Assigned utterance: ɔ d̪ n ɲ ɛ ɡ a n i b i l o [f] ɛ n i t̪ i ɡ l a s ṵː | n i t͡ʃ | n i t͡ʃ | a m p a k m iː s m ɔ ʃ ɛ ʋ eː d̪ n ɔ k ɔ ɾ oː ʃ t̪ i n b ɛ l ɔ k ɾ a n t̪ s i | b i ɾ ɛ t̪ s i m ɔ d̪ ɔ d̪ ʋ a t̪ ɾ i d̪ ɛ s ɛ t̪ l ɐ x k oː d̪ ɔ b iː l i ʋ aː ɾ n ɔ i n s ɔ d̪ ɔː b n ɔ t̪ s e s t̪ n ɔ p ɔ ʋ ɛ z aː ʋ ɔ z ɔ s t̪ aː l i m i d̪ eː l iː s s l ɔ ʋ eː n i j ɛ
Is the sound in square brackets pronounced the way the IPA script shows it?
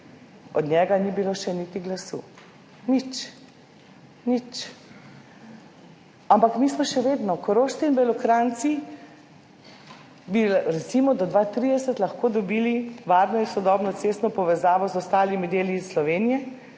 no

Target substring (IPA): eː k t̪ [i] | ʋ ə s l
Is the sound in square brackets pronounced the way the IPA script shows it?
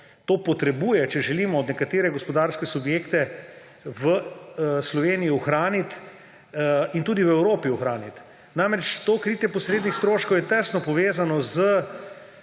no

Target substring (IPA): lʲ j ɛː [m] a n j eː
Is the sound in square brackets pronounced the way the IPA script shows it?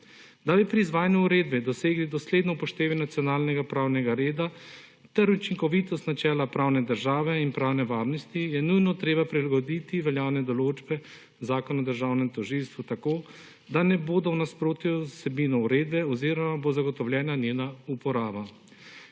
no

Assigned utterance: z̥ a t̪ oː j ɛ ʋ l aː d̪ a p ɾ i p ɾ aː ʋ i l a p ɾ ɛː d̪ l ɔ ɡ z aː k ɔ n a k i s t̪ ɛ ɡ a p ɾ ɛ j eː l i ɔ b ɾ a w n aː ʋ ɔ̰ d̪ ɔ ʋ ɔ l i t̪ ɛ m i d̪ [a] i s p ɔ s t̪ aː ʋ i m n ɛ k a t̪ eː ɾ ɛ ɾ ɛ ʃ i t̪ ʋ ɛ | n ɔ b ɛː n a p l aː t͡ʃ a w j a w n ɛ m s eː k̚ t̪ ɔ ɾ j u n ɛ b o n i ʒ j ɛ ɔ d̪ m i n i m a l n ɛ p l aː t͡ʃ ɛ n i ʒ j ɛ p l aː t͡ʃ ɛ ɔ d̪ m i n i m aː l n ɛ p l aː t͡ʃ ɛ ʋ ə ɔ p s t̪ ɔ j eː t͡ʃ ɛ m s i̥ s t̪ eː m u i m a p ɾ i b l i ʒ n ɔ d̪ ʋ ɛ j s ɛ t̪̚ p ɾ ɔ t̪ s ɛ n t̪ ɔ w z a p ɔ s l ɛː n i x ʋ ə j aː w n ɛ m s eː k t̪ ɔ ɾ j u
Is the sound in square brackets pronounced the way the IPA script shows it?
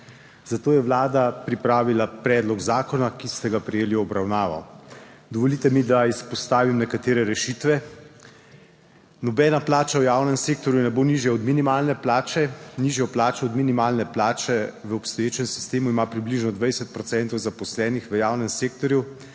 yes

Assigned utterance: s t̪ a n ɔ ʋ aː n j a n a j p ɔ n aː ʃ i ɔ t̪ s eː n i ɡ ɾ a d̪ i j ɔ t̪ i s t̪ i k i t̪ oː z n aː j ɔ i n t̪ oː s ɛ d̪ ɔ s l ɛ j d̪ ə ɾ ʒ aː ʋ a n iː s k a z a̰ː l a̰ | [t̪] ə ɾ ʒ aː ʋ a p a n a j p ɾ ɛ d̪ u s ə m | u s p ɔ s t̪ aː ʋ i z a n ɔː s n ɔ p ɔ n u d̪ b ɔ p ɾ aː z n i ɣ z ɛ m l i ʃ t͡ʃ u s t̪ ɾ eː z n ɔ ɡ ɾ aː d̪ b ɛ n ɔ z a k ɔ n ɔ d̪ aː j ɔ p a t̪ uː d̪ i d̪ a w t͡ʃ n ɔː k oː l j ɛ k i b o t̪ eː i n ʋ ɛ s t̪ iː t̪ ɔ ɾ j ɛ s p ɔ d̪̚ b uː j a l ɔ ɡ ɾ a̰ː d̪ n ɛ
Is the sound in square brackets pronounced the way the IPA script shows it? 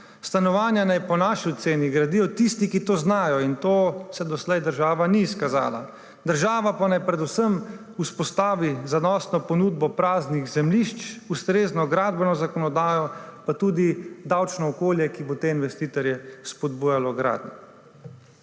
no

